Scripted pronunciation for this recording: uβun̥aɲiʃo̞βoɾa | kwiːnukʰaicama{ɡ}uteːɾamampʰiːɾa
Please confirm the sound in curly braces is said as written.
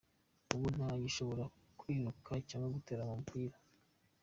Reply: yes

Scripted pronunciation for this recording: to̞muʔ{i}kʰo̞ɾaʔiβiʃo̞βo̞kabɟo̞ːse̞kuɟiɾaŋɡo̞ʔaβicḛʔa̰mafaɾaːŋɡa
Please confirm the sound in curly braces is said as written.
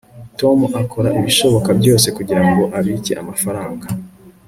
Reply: no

